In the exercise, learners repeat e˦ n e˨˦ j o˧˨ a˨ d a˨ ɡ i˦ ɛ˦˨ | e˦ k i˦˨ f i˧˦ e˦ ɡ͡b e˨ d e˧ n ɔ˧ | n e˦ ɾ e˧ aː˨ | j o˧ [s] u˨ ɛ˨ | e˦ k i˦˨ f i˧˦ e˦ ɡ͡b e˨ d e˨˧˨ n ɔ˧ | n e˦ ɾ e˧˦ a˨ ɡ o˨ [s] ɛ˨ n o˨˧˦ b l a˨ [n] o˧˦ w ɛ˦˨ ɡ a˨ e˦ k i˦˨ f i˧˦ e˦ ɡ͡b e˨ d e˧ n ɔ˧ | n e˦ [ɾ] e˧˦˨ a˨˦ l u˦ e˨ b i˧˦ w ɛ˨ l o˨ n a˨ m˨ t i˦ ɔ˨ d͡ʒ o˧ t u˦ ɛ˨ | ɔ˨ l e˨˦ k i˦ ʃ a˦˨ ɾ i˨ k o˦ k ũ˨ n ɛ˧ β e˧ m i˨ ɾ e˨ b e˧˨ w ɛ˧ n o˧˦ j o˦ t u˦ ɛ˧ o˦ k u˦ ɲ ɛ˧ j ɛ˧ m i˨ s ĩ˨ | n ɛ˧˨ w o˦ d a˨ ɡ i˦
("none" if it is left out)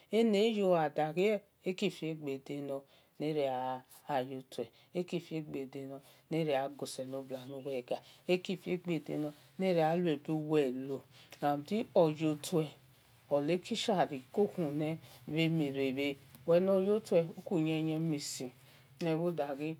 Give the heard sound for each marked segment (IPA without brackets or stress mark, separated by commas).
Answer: t, s, n, ɾ